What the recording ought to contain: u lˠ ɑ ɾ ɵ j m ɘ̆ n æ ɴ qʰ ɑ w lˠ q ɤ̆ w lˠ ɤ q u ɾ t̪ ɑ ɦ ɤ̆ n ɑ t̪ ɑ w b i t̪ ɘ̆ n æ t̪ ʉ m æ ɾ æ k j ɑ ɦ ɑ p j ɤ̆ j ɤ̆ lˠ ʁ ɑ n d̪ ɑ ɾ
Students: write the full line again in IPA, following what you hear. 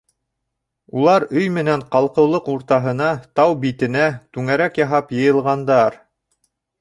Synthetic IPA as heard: u lˠ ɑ ɾ ɵ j m ɘ̆ n æ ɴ q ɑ lˠ q ɤ̆ w lˠ ɤ q u ɾ t̪ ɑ ɦ ɤ̆ n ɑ t̪ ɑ w b i t̪ ɘ̆ n æ t̪ ʉ ŋ æ ɾ æ k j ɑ ɦ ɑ p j ɤ̆ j ɤ̆ lˠ ʁ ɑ n d̪ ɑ ɾ